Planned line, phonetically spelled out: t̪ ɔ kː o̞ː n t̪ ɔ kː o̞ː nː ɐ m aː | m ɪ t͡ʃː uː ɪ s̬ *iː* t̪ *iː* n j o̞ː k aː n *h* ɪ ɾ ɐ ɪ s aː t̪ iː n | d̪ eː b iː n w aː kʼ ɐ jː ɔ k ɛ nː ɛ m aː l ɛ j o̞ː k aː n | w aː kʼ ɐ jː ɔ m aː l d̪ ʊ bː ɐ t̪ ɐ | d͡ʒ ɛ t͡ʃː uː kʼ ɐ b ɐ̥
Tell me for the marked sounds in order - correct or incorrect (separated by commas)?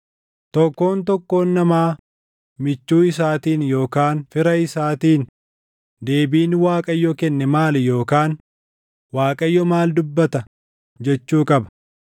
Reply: incorrect, correct, incorrect